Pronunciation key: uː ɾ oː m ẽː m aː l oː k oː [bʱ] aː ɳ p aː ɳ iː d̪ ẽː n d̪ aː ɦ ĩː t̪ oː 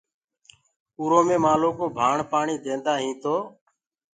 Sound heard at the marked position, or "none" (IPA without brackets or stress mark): bʱ